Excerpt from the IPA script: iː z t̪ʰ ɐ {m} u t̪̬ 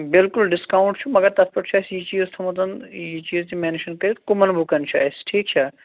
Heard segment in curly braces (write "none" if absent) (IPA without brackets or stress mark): m